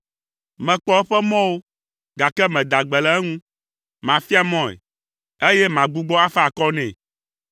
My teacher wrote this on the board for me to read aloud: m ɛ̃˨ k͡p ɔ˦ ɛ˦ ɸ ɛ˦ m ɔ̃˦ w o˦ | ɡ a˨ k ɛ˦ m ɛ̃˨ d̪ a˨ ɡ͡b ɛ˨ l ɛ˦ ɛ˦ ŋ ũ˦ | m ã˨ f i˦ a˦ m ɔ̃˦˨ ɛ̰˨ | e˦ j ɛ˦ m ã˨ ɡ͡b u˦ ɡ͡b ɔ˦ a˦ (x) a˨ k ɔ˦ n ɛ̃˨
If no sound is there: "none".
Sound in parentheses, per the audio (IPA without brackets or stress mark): f